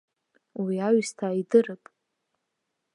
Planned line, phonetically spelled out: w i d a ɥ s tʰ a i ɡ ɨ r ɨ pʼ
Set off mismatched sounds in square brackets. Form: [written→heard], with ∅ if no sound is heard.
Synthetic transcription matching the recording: w i [d→∅] a ɥ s tʰ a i [ɡ→d] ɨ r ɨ pʼ